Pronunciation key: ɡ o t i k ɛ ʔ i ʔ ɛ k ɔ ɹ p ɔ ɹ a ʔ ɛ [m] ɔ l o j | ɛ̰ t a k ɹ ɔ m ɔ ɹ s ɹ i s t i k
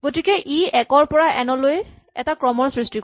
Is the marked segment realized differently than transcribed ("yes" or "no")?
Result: yes